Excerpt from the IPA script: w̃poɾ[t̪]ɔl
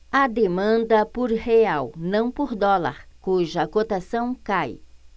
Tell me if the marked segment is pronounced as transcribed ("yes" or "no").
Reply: no